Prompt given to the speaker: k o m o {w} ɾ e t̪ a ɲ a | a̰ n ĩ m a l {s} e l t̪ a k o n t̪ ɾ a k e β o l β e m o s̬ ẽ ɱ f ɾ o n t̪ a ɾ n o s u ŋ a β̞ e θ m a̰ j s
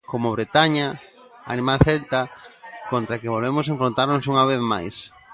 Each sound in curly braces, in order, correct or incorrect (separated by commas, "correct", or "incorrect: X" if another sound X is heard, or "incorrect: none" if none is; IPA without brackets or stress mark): incorrect: β, incorrect: θ